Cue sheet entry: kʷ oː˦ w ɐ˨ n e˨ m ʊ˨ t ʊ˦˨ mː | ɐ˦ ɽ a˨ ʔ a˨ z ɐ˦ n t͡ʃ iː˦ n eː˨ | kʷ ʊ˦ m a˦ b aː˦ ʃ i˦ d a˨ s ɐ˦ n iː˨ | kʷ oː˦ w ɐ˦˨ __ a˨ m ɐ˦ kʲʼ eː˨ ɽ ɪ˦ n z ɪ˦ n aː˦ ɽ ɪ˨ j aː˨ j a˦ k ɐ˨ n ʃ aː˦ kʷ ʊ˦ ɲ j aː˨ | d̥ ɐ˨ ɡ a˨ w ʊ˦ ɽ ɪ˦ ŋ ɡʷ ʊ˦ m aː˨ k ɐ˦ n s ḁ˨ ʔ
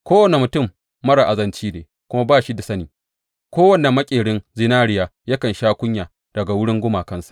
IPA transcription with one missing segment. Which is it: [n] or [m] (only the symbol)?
n